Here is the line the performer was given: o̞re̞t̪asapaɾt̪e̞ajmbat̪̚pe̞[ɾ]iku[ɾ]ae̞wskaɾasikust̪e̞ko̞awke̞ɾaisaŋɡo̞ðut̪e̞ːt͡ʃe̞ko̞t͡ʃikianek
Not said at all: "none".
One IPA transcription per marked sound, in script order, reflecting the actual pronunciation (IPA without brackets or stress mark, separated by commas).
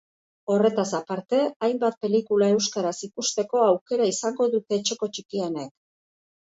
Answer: l, l